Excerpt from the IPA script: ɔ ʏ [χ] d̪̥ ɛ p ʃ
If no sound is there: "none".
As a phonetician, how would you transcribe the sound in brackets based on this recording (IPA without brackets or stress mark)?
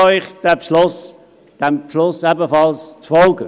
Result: χ